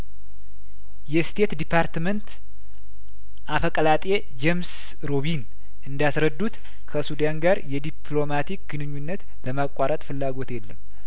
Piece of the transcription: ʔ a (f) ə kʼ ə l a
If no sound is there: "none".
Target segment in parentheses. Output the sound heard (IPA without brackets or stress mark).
f